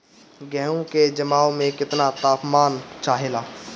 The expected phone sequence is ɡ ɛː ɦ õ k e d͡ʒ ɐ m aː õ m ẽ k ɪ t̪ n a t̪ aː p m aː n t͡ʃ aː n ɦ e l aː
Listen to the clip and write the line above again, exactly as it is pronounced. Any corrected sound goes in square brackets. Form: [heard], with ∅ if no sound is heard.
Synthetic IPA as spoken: ɡ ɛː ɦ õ k e d͡ʒ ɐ m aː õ m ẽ k ɪ t̪ n a t̪ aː p m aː n t͡ʃ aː [∅] ɦ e l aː